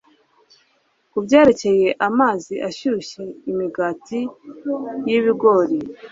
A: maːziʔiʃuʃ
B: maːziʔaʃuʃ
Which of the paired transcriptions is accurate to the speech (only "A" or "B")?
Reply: B